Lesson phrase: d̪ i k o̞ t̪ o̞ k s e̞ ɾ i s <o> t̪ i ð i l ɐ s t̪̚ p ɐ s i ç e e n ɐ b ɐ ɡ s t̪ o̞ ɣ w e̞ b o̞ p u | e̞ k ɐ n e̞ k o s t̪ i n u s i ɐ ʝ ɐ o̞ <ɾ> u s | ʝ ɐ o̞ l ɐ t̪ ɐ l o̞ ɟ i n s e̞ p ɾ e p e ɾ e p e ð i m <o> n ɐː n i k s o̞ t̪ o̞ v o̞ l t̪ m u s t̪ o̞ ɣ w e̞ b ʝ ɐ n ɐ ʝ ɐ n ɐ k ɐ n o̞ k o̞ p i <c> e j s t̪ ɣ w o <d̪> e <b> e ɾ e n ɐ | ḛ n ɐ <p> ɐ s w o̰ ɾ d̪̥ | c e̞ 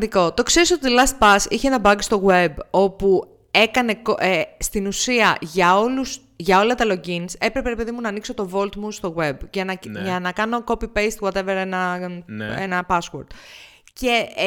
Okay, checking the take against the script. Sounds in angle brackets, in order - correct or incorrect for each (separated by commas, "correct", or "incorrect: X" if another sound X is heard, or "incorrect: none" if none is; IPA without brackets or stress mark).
correct, incorrect: l, incorrect: u, incorrect: p, incorrect: t̪, incorrect: v, correct